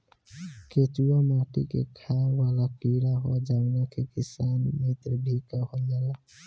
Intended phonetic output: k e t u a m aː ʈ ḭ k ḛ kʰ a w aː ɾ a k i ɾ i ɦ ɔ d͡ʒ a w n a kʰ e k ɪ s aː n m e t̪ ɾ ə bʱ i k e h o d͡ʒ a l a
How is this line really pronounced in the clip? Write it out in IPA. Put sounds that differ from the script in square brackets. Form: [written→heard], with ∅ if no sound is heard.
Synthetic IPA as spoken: k e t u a m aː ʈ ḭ k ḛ kʰ a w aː [ɾ→l] a k i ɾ [i→a] ɦ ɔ d͡ʒ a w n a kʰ e k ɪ s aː n m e t̪ ɾ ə bʱ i k [e→a] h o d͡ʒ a l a

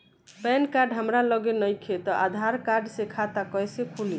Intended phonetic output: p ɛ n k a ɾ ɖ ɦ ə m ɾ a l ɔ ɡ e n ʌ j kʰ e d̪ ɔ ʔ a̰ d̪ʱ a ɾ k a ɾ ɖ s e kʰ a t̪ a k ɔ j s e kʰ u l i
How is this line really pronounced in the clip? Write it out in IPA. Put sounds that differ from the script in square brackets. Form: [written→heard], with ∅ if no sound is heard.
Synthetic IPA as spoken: p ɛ n k a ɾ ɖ ɦ ə m ɾ a l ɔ ɡ e n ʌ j kʰ e [d̪→t̪] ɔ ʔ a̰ d̪ʱ a ɾ k a ɾ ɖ s e kʰ a t̪ a k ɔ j s e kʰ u l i

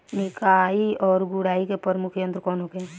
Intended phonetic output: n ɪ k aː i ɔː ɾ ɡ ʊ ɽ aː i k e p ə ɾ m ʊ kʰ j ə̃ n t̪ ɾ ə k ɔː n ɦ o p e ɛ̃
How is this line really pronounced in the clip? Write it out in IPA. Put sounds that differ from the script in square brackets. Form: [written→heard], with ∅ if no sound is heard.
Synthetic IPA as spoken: n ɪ k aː i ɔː ɾ ɡ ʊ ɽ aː i k e p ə ɾ m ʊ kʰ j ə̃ n t̪ ɾ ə k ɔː n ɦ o [p→k] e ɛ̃

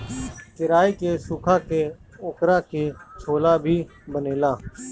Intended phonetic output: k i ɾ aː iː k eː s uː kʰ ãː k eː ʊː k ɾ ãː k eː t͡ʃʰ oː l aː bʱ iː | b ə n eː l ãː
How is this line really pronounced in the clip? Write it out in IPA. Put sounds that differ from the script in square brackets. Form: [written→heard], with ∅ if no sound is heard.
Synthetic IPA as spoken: k [i→ɪ] ɾ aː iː k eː s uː kʰ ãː k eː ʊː k ɾ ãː k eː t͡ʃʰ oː l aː bʱ iː | b ə n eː l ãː

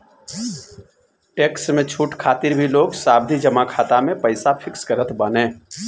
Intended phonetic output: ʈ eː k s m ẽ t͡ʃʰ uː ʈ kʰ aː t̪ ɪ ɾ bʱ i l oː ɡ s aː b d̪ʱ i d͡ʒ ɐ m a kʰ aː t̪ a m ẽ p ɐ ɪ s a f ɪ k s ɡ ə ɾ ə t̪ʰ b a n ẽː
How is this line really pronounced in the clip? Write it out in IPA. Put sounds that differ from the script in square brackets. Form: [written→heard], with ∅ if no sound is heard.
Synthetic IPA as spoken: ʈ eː k s m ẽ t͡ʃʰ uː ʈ kʰ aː t̪ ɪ ɾ bʱ i l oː ɡ s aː b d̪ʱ i d͡ʒ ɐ m a kʰ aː t̪ a m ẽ p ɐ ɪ s a f ɪ k s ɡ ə ɾ ə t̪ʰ b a n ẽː

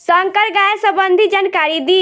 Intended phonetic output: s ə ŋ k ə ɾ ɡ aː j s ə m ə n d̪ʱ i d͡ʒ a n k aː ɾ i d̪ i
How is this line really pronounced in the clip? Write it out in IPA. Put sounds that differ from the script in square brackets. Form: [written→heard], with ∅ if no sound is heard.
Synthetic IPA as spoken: s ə ŋ k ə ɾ ɡ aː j s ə [m→b] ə n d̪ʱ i d͡ʒ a n k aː ɾ i d̪ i

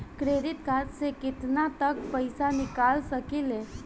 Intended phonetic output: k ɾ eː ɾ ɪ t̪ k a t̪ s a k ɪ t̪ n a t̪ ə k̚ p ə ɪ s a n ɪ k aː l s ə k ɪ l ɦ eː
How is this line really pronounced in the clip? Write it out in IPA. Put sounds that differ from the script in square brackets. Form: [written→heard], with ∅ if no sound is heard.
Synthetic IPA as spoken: k ɾ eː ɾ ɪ t̪ k a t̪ s [a→e] k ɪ t̪ n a t̪ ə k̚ p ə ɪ s a n ɪ k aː l s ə k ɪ l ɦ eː

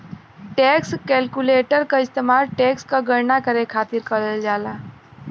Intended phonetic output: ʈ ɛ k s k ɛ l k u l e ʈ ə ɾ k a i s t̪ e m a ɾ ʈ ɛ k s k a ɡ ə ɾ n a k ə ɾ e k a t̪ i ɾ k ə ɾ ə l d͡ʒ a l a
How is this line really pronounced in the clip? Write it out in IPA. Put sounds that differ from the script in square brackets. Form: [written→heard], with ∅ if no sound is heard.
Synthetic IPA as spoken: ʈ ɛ k s k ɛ l k u l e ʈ ə ɾ k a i s t̪ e m a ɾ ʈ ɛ k s k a ɡ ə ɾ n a k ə ɾ e [k→kʰ] a t̪ i ɾ k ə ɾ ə l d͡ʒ a l a

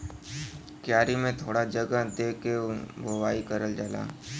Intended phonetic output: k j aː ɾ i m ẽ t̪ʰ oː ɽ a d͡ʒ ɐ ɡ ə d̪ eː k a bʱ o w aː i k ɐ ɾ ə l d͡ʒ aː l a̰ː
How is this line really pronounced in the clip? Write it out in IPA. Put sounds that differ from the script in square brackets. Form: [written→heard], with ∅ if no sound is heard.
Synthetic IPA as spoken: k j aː ɾ i m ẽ t̪ʰ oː ɽ a d͡ʒ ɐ ɡ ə d̪ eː k [a→e] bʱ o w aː i k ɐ ɾ ə l d͡ʒ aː l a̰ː

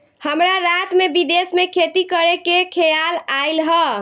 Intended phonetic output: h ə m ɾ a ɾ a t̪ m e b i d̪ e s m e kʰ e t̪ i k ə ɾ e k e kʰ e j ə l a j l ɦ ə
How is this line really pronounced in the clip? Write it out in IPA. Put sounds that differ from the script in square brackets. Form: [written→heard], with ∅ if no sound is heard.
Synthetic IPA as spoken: h ə m ɾ a ɾ a t̪ m e b i d̪ e s m e kʰ e t̪ i k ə ɾ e k e kʰ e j [ə→a] l a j l ɦ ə

